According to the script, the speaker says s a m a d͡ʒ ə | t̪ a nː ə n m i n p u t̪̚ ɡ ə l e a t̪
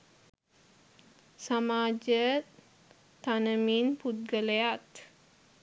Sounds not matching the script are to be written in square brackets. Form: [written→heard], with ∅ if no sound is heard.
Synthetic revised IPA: s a m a d͡ʒ ə | t̪ a [nː→n] ə [n→∅] m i n p u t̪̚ ɡ ə l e a t̪